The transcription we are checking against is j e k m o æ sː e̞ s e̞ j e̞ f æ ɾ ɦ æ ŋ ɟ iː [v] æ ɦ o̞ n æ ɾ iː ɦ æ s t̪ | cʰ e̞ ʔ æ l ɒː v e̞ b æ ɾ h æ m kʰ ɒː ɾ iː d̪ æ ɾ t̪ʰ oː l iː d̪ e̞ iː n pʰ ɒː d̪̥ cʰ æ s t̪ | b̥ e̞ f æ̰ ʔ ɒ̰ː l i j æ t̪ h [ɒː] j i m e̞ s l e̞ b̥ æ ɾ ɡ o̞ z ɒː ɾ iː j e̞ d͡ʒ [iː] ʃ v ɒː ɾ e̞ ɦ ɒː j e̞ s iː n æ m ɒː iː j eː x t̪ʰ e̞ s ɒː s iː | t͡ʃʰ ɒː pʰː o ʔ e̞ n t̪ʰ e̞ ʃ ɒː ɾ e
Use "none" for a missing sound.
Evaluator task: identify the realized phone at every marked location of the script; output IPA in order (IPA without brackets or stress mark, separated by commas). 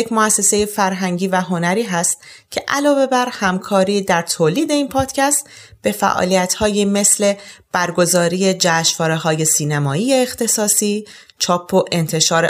v, ɒː, æː